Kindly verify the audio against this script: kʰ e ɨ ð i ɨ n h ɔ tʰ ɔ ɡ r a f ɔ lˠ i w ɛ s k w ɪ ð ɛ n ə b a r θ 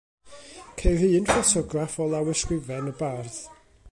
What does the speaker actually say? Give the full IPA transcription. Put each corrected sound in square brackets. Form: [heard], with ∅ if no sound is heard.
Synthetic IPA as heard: kʰ e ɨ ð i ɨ n [f] ɔ tʰ ɔ ɡ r a f ɔ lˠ [a] w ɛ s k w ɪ [v] ɛ n ə b a r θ